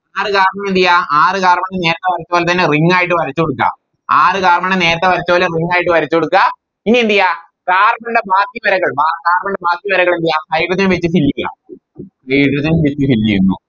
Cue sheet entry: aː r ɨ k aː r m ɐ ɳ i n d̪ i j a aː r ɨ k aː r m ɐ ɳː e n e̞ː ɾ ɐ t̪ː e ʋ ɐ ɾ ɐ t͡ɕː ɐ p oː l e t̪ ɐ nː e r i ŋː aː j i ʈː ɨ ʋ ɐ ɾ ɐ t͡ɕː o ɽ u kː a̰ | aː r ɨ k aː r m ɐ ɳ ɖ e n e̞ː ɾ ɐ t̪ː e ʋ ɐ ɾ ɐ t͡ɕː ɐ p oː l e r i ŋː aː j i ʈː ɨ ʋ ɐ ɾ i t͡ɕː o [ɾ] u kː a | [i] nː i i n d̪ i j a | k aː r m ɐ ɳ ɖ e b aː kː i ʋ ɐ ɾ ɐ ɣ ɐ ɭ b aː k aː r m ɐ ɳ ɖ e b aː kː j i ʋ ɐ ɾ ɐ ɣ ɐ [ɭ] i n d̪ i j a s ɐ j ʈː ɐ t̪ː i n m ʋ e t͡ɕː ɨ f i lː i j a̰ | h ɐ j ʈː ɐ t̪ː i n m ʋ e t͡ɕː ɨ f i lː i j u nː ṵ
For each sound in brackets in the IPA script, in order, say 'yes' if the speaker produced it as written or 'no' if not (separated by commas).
no, yes, yes